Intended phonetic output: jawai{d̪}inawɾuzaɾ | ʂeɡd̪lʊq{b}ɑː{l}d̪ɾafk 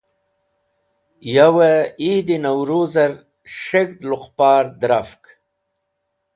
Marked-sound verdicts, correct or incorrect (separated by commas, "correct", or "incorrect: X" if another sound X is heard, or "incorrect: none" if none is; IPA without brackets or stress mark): correct, incorrect: p, incorrect: ɾ